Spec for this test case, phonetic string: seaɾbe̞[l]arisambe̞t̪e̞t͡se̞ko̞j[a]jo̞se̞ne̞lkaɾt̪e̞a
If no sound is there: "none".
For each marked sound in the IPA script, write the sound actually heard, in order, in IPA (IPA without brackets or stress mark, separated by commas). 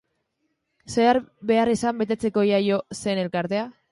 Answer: none, a